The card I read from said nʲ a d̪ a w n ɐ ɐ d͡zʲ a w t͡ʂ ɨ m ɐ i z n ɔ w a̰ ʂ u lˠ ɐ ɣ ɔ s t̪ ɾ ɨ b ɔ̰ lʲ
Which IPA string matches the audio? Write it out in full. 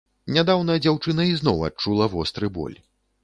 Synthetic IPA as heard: nʲ a d̪ a w n ɐ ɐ d͡zʲ a w t͡ʂ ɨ n ɐ i z n ɔ w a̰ t͡ʂ u lˠ ɐ v ɔ s t̪ ɾ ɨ b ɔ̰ lʲ